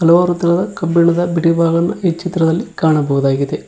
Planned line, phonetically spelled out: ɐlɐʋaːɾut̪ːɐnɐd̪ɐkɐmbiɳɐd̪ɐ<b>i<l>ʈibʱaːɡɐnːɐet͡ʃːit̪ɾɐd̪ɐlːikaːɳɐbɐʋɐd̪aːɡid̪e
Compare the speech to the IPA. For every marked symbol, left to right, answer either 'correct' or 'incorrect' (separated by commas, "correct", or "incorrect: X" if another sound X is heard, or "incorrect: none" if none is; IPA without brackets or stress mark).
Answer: correct, incorrect: none